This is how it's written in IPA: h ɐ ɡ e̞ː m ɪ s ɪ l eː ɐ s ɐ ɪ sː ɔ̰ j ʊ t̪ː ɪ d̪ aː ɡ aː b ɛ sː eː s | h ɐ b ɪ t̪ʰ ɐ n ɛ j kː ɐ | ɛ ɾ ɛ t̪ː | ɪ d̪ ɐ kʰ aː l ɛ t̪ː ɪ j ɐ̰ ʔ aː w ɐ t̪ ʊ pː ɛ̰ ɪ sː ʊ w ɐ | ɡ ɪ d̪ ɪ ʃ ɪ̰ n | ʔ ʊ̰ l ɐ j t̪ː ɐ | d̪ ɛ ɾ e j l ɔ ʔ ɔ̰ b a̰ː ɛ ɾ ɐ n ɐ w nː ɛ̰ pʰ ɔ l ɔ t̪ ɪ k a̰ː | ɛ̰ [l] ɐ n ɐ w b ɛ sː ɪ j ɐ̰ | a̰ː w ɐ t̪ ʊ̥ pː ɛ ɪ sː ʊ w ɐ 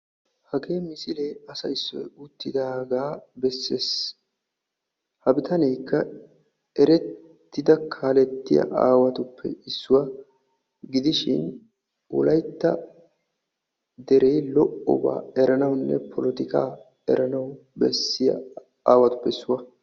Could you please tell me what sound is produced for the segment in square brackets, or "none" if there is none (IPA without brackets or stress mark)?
ɾ